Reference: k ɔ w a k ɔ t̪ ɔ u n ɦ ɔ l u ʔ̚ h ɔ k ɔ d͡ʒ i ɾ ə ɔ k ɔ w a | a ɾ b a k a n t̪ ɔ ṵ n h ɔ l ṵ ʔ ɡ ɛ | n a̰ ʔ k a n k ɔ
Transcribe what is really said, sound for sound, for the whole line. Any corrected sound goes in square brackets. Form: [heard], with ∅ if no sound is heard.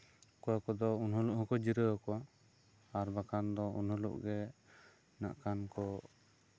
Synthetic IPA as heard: k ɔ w a k ɔ [d̪] ɔ u n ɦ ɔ l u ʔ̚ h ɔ k ɔ d͡ʒ i ɾ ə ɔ k ɔ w a | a ɾ b a k a n [d̪] ɔ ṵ n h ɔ l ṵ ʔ ɡ ɛ | n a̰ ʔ k a n k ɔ